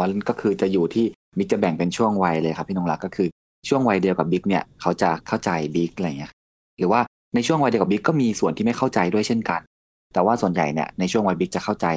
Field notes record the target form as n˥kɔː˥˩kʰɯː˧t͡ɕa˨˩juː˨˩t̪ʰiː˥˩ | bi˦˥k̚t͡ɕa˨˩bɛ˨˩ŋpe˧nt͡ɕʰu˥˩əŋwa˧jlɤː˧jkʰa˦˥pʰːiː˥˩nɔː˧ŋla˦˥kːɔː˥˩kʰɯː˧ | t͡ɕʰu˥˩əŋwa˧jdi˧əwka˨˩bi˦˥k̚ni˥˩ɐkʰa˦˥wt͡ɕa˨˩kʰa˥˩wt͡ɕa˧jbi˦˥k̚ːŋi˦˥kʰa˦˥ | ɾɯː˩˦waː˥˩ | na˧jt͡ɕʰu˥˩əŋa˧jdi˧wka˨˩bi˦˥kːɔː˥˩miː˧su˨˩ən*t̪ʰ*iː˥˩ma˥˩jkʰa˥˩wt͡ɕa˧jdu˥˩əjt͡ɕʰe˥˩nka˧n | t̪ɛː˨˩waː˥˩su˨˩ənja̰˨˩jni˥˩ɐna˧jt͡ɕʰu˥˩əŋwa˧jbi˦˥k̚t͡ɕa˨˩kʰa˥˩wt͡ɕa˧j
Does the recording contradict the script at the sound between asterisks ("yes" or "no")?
yes